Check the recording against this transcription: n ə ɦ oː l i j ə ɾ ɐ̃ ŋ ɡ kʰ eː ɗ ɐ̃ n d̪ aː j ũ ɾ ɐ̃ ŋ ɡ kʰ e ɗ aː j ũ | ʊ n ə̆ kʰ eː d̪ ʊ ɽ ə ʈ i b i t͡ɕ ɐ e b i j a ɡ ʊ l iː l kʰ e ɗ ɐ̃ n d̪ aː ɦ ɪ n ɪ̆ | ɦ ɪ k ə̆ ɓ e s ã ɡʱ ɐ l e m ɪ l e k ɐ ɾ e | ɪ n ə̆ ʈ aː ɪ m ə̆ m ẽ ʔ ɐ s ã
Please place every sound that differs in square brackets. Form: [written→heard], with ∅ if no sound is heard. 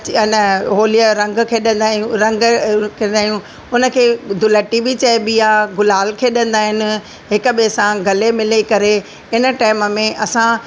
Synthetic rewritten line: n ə ɦ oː l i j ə ɾ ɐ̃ ŋ ɡ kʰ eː ɗ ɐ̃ n d̪ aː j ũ ɾ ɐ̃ ŋ ɡ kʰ e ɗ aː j ũ | ʊ n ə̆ kʰ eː d̪ ʊ [ɽ→l] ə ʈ i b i t͡ɕ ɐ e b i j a ɡ ʊ l [iː→aː] l kʰ e ɗ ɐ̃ n d̪ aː ɦ ɪ n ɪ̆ | ɦ ɪ k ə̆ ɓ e s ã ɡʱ ɐ l e m ɪ l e k ɐ ɾ e | ɪ n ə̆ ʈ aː ɪ m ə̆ m ẽ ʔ ɐ s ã